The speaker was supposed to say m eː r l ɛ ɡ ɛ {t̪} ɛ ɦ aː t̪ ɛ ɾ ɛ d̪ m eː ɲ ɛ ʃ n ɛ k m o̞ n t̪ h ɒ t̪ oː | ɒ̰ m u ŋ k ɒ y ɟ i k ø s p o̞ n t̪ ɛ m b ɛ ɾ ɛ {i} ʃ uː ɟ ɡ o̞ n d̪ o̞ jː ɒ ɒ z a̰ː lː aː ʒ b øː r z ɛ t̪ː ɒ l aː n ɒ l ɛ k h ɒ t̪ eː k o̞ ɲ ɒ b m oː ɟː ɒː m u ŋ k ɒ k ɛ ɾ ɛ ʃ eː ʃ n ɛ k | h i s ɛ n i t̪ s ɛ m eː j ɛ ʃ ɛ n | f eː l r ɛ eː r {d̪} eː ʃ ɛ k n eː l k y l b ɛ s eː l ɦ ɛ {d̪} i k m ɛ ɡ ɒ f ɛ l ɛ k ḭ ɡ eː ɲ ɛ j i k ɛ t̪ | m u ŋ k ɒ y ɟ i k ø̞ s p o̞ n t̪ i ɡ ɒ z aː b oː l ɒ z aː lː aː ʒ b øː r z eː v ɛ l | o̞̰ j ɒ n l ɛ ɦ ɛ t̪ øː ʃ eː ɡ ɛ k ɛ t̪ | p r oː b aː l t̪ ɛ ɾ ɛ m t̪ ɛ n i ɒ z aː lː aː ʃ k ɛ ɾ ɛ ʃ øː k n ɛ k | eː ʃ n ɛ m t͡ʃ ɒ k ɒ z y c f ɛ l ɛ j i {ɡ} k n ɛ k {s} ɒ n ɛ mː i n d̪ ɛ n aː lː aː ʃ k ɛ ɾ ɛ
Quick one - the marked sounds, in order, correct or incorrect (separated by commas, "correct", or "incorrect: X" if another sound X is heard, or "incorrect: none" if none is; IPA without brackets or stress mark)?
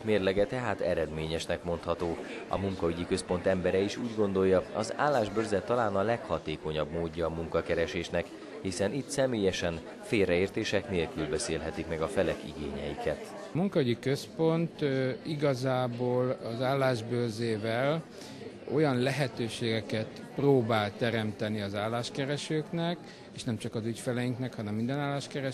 correct, correct, incorrect: t̪, incorrect: t̪, incorrect: ŋ, incorrect: h